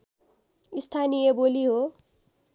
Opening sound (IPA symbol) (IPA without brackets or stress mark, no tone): i